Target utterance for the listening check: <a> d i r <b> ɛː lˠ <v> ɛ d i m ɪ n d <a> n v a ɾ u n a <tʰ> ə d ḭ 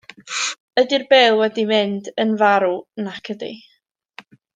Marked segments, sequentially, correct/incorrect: incorrect, correct, incorrect, incorrect, incorrect

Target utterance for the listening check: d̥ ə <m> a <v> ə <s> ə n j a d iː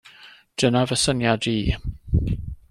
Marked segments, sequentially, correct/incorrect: incorrect, correct, correct

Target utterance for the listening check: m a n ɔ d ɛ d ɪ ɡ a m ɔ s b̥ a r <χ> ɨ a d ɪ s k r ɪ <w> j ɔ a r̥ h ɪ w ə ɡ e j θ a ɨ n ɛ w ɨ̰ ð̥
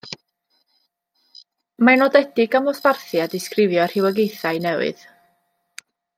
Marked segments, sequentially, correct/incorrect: incorrect, incorrect

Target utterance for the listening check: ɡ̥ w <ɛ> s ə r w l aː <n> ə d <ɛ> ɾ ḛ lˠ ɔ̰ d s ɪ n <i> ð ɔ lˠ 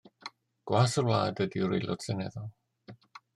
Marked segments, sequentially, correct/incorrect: incorrect, incorrect, incorrect, incorrect

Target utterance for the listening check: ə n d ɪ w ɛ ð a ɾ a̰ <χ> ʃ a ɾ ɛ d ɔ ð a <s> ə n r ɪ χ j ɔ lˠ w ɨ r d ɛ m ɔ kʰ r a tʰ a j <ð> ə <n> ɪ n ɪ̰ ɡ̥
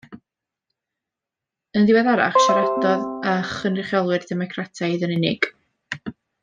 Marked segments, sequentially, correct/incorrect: correct, incorrect, correct, correct

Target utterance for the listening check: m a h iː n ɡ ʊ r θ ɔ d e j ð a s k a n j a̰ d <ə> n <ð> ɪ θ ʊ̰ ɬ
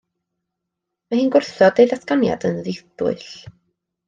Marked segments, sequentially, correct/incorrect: correct, correct

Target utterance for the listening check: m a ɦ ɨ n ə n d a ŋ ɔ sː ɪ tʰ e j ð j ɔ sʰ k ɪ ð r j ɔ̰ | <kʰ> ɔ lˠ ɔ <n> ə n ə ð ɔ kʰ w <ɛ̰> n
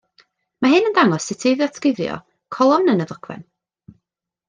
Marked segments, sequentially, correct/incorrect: correct, correct, correct

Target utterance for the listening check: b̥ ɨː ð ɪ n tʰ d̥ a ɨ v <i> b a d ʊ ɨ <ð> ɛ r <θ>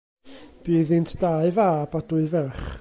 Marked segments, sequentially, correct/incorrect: incorrect, incorrect, incorrect

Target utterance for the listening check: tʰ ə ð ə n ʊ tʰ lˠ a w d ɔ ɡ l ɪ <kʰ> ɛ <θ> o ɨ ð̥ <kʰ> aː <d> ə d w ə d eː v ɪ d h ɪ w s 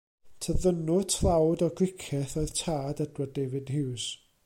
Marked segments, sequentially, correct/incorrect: correct, correct, incorrect, correct

